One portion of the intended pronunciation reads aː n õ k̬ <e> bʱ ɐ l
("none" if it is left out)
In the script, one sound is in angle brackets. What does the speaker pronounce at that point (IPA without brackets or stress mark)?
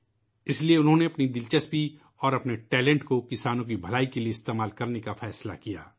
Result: i